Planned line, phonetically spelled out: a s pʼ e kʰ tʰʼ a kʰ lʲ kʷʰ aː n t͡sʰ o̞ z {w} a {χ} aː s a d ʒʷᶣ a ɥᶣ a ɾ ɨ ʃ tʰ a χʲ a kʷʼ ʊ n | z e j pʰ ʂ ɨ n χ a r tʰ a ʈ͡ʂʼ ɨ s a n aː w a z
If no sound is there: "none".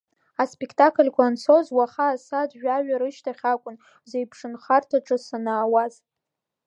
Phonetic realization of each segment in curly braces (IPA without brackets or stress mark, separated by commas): w, χ